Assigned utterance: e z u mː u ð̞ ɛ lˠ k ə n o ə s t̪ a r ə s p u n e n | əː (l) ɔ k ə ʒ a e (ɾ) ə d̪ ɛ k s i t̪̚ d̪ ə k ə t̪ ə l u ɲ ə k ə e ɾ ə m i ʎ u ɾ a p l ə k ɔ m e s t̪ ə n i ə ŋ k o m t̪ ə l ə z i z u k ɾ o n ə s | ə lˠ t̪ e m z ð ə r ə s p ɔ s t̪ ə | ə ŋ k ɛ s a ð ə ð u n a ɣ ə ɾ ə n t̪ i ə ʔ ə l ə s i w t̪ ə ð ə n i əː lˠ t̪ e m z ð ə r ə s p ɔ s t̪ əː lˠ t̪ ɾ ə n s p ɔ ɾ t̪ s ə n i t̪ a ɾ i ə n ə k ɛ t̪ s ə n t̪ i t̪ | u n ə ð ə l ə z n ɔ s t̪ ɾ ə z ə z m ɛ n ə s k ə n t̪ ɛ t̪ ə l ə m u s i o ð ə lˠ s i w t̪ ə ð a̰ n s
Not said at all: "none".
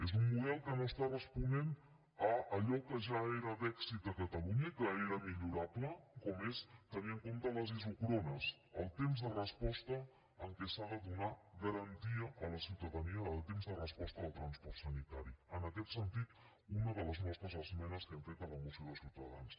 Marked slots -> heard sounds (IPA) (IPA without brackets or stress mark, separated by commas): ʎ, ɾ